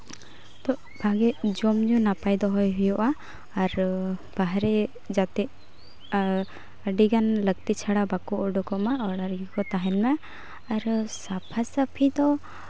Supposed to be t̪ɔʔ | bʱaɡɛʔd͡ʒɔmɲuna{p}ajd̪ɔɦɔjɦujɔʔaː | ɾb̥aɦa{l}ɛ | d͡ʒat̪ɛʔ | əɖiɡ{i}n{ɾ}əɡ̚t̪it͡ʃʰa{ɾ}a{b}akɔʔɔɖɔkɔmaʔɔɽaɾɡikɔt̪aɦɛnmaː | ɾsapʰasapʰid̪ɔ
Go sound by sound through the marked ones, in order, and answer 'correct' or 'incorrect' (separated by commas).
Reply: correct, incorrect, incorrect, incorrect, incorrect, correct